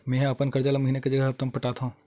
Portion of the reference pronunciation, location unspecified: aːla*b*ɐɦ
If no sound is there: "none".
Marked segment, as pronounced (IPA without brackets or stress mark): m